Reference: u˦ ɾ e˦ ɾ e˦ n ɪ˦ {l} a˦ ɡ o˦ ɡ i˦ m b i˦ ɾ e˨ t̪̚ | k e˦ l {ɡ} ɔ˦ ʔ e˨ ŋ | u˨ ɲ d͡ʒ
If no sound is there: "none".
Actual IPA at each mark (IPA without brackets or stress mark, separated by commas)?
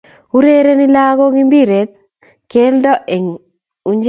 l, d